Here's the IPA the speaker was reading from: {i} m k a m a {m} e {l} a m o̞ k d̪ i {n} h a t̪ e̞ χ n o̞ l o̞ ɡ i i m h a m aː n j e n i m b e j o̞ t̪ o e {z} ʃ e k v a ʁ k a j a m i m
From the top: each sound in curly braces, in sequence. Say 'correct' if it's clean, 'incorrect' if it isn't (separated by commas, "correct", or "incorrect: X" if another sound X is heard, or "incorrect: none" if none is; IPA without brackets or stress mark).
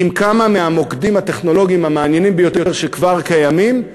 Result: correct, correct, incorrect: none, incorrect: m, incorrect: ʁ